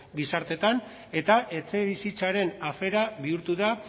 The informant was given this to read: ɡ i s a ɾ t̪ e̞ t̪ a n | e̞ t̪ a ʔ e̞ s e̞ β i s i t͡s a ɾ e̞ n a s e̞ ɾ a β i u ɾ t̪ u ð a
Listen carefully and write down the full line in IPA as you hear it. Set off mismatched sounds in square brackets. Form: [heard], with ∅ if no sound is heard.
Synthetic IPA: ɡ i s a ɾ t̪ e̞ t̪ a n | e̞ t̪ a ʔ e̞ [t͡s] e̞ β i s i t͡s a ɾ e̞ n a [f] e̞ ɾ a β i u ɾ t̪ u ð a